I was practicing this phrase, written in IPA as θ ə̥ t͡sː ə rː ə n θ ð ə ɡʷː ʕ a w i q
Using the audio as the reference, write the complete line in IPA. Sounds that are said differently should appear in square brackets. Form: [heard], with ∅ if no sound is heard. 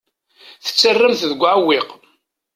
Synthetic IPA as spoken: θ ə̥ t͡sː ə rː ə [m] θ ð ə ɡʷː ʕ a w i q